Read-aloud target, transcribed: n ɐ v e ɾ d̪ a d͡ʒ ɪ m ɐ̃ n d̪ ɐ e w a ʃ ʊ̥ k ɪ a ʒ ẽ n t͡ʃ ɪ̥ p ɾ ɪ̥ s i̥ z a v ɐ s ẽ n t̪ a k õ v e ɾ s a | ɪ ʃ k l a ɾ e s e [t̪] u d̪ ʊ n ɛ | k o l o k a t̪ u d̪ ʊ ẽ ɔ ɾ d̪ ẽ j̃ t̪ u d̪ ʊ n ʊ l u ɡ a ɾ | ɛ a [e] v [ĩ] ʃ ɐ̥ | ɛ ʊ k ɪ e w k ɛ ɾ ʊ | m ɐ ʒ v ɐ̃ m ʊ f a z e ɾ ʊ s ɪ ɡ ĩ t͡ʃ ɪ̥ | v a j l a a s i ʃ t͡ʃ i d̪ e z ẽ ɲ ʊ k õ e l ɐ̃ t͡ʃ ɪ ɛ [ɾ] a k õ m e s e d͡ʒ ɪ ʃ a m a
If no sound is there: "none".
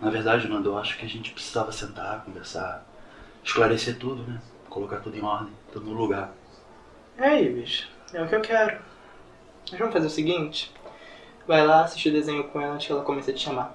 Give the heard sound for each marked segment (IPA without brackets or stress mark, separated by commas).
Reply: t̪, i, i, l